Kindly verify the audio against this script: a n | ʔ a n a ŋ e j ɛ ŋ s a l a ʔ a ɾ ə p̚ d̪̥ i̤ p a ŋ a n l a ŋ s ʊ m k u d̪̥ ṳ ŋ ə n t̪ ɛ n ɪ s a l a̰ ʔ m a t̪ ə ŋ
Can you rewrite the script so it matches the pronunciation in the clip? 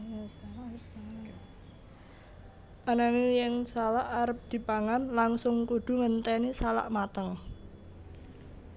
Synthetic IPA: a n | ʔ a n a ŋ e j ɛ ŋ s a l a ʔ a ɾ ə p̚ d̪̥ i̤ p a ŋ a n l a ŋ s ʊ ŋ k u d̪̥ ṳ ŋ ə n t̪ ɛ n i s a l a̰ ʔ m a t̪ ə ŋ